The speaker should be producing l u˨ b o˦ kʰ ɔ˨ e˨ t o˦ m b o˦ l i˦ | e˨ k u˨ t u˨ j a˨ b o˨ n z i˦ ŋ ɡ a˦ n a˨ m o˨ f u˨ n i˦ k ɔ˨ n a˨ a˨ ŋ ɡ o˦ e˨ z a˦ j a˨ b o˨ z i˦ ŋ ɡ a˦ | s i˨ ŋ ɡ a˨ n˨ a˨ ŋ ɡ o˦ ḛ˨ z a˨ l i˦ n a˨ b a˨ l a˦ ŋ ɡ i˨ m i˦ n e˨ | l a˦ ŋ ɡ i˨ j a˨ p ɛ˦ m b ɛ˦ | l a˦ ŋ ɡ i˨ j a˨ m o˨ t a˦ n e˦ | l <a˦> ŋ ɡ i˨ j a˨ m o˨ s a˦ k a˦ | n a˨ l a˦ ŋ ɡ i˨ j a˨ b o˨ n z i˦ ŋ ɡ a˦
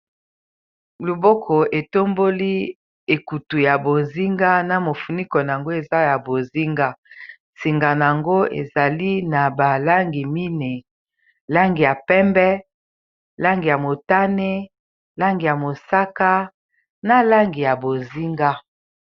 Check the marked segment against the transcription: correct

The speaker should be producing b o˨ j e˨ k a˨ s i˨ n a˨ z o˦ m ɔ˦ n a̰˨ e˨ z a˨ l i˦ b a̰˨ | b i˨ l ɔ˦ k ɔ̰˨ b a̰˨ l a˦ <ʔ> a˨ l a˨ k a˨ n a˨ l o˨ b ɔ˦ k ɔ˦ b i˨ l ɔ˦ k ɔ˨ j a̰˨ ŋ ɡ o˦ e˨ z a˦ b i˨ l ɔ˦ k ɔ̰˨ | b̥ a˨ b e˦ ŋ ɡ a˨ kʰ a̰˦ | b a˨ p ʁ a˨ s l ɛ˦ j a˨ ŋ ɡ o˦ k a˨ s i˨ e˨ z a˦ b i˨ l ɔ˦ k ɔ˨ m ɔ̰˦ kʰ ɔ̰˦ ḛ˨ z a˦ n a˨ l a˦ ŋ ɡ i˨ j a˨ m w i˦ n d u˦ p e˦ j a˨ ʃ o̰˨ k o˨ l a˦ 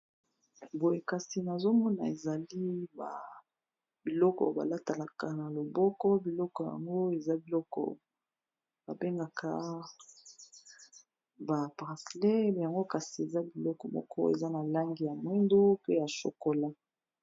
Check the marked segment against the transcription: incorrect: t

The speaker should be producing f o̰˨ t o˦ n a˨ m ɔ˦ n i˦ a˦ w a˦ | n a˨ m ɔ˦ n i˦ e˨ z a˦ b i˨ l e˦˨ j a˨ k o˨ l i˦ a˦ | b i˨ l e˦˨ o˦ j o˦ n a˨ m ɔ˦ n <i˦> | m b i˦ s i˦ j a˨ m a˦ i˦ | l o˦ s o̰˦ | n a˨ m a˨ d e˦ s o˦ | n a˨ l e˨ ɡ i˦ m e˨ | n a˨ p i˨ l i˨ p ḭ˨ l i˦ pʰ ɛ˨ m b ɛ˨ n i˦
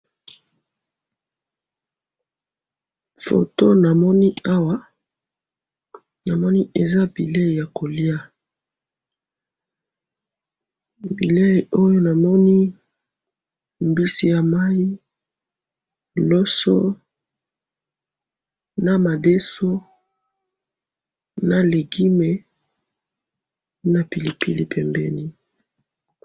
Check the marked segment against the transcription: correct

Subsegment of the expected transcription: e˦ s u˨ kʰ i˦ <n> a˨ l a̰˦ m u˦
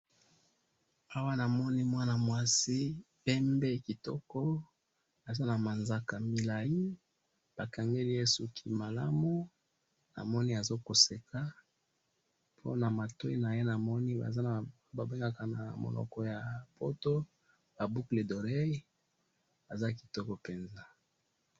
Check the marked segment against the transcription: incorrect: m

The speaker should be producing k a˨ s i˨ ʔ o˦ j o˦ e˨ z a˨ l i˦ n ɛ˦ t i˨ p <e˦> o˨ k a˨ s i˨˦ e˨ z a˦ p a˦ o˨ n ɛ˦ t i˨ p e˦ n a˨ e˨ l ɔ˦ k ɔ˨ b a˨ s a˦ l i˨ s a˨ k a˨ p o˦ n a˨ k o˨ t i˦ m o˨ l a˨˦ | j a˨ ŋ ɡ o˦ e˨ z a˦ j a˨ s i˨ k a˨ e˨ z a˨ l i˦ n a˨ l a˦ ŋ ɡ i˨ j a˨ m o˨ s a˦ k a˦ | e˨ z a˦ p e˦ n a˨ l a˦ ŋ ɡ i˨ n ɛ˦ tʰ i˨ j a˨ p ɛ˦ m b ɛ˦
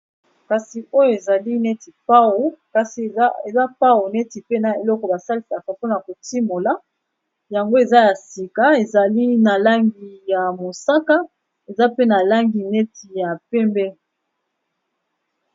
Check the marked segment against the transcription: incorrect: a˦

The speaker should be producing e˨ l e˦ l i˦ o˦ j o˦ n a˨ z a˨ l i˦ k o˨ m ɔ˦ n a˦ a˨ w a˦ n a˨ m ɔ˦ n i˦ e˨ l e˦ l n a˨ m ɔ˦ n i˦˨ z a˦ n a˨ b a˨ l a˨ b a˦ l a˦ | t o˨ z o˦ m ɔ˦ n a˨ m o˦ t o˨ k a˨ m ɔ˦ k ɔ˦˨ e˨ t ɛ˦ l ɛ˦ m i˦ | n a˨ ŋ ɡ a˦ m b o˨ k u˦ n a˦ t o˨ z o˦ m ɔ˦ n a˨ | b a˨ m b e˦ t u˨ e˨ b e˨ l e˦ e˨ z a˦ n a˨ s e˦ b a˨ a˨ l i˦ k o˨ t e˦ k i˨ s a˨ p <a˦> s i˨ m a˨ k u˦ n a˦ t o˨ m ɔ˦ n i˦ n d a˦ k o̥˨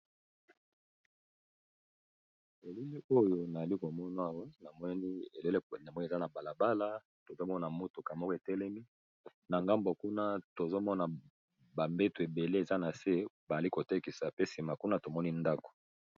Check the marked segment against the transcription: incorrect: e˦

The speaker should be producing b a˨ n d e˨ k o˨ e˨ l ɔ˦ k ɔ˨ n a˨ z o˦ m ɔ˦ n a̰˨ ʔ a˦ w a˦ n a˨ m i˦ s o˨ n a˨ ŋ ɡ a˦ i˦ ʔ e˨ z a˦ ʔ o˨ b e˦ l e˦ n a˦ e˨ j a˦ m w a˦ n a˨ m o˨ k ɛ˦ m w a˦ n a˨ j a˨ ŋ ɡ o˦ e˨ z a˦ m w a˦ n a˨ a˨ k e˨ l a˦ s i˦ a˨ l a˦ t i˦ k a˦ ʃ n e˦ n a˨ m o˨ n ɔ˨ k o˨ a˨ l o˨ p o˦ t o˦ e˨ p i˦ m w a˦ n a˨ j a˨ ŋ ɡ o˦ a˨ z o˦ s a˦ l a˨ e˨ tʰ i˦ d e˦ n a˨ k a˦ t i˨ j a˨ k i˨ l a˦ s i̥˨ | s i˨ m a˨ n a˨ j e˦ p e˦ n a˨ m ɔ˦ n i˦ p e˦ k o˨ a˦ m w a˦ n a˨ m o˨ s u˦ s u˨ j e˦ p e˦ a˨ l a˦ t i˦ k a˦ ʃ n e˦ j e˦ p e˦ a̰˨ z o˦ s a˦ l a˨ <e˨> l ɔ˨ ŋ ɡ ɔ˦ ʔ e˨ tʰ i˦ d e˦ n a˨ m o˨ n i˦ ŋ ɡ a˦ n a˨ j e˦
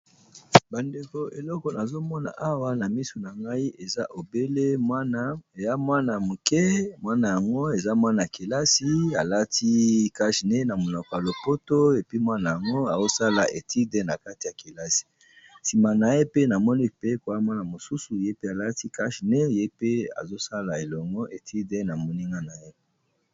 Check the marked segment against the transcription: correct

